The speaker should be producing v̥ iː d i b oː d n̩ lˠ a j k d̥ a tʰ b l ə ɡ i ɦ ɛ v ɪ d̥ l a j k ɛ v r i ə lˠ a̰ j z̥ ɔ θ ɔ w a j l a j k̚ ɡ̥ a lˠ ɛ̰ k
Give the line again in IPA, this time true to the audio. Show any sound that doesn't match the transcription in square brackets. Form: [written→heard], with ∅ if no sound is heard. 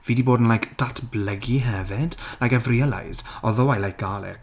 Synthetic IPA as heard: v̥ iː d i b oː d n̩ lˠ a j k d̥ a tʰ b l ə ɡ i ɦ ɛ v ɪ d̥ l a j k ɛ v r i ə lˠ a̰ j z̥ ɔ [θ→ð] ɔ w a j l a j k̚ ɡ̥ a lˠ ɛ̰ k

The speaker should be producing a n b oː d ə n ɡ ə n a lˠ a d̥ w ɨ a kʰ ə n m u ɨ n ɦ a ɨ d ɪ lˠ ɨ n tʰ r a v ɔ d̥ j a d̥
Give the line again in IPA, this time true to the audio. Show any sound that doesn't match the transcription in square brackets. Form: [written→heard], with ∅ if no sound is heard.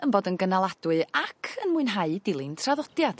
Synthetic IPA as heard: [a→ə] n b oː d ə n ɡ ə n a lˠ a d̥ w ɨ a kʰ ə n m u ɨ n ɦ a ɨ d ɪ lˠ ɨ n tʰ r a [v→ð] ɔ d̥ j a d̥

